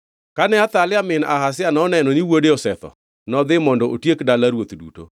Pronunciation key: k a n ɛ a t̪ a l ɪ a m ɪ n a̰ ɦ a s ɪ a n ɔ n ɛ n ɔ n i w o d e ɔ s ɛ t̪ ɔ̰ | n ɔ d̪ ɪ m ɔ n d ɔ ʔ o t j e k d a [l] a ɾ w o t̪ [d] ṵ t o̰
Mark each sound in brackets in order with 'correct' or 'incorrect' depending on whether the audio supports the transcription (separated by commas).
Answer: correct, correct